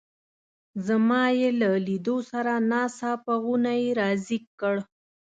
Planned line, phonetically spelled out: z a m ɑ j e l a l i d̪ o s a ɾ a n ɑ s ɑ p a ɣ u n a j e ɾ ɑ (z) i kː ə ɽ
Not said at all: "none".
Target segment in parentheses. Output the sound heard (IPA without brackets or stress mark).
z